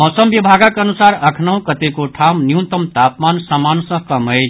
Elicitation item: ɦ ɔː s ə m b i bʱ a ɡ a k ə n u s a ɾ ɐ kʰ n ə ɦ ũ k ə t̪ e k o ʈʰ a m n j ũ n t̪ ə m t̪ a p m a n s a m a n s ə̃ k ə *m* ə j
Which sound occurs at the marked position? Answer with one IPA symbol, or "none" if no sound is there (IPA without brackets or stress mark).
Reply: m